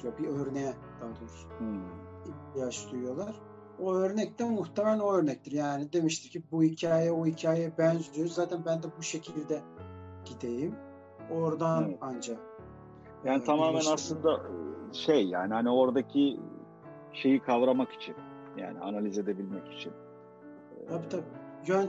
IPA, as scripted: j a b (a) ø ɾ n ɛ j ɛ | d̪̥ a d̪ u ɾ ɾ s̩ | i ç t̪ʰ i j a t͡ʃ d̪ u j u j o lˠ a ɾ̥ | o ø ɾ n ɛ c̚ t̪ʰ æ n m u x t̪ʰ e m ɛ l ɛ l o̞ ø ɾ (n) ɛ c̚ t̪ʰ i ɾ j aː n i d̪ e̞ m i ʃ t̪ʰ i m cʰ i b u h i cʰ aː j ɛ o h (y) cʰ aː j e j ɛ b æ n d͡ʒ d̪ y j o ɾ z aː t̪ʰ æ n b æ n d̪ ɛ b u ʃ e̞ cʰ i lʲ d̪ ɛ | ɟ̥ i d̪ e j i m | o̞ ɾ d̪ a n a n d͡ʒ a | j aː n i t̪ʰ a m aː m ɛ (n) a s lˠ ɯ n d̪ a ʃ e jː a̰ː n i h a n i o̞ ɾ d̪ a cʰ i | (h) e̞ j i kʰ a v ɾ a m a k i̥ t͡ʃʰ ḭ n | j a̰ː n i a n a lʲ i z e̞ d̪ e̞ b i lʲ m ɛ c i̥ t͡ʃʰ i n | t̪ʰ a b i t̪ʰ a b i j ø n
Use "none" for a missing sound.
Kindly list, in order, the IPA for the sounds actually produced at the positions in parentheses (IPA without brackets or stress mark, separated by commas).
i, n, i, n, ʃ